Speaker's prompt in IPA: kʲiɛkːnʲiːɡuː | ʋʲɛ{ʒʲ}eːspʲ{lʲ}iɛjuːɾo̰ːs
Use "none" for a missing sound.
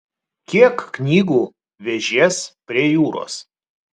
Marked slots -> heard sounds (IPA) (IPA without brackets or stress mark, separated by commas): ʒʲ, ɾʲ